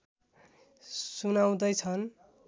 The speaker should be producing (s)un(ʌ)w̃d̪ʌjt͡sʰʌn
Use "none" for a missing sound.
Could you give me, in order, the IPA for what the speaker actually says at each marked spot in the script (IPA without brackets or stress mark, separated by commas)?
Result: s, a